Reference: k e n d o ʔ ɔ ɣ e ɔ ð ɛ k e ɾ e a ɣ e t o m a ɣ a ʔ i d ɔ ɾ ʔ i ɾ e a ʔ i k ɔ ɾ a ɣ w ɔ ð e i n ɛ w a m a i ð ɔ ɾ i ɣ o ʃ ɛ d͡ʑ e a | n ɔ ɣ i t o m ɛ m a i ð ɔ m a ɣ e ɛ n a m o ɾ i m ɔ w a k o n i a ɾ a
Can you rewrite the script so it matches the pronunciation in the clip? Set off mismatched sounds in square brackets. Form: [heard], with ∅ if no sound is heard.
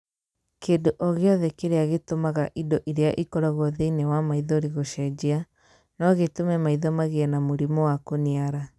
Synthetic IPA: k e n d o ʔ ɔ ɣ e ɔ ð ɛ k e ɾ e a ɣ e t o m a ɣ a ʔ i d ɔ [∅] ʔ i ɾ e a ʔ i k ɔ ɾ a ɣ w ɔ ð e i n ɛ w a m a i ð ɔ ɾ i ɣ o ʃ ɛ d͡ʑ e a | n ɔ ɣ [e] t o m ɛ m a i ð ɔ m a ɣ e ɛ n a m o ɾ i m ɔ w a k o n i a ɾ a